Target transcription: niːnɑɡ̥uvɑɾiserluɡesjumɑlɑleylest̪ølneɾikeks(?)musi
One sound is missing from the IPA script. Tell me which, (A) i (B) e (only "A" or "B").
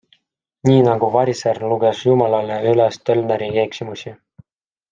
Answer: A